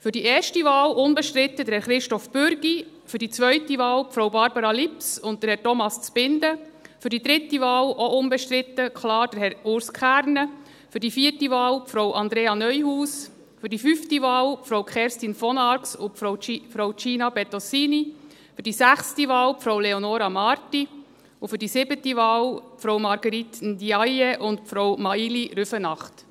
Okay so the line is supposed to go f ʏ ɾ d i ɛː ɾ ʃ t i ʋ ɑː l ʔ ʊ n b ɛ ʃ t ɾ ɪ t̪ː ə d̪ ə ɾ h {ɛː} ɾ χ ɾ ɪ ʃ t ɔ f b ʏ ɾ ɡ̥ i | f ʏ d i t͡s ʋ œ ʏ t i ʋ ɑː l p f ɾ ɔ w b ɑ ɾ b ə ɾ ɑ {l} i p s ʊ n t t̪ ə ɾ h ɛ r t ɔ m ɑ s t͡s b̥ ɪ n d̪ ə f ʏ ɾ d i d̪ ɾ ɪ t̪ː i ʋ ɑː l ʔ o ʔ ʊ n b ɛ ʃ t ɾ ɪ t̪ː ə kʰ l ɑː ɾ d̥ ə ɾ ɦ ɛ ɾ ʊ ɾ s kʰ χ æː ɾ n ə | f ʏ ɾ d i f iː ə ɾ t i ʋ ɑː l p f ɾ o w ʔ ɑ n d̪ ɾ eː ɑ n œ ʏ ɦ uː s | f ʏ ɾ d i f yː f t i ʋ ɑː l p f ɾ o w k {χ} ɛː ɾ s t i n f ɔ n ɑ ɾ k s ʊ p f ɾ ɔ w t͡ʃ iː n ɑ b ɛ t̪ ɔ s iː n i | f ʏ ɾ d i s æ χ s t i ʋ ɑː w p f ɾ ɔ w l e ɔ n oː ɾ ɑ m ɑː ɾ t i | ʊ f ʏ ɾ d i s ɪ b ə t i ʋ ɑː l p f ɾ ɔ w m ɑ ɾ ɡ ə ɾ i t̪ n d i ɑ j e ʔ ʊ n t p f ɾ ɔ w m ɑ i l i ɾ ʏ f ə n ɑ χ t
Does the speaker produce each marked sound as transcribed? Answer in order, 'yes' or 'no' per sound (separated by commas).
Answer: no, yes, yes